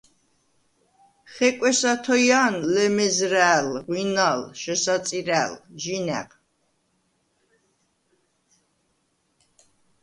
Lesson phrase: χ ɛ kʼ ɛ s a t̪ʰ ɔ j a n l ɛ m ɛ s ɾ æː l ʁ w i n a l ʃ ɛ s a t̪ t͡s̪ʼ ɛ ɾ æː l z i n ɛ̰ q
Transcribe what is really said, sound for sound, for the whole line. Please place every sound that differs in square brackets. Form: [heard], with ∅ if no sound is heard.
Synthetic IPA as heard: χ ɛ kʼ ɛ s a t̪ʰ ɔ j a n l ɛ m ɛ [z] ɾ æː l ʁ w i n a l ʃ ɛ s a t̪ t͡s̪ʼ [i] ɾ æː l [ʒ] i n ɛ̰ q